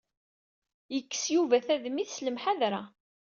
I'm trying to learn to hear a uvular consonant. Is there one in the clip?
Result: no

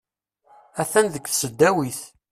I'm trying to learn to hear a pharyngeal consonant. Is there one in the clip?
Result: no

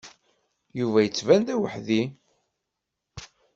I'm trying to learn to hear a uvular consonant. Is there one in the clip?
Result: no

